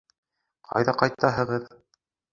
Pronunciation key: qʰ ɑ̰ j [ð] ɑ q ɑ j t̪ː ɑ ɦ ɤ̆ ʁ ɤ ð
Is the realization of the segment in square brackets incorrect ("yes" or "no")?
no